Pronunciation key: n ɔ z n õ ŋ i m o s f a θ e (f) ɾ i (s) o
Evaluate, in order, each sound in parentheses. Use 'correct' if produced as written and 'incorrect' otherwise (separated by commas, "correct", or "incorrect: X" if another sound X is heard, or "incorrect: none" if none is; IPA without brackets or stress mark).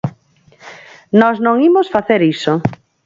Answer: incorrect: none, correct